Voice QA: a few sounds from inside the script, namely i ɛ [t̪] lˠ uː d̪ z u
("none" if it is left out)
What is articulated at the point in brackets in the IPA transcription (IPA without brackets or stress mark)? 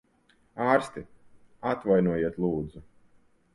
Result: t̪